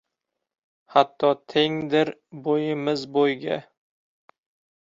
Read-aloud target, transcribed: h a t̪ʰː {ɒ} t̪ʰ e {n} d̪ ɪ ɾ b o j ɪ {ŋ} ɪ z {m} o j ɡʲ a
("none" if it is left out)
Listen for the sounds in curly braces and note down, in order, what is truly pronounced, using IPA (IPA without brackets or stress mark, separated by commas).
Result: ɒ, ŋ, m, b